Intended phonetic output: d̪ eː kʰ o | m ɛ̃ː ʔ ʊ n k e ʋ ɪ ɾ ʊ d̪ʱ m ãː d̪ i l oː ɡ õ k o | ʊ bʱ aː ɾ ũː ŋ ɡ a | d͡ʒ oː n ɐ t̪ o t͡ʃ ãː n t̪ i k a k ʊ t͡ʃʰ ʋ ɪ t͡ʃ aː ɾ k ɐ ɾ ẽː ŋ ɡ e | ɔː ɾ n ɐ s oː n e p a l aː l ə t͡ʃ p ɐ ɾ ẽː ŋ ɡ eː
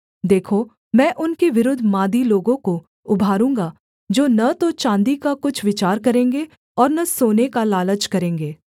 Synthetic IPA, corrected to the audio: d̪ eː kʰ o | m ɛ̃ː ʔ ʊ n k e ʋ ɪ ɾ ʊ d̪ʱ m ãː d̪ i l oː ɡ õ k o | ʊ bʱ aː ɾ ũː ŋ ɡ a | d͡ʒ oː n ɐ t̪ o t͡ʃ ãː n d̪ i k a k ʊ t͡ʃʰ ʋ ɪ t͡ʃ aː ɾ k ɐ ɾ ẽː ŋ ɡ e | ɔː ɾ n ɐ s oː n e k a l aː l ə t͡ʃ k ɐ ɾ ẽː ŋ ɡ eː